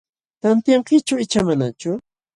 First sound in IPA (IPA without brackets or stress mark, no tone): t̪